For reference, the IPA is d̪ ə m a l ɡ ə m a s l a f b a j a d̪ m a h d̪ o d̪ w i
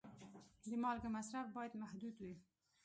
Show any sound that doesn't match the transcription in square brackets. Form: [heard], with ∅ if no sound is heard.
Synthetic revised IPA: d̪ ə m [ɑ] l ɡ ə m a s [ɾ] a f b [ɑ] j a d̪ m a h d̪ [u] d̪ w i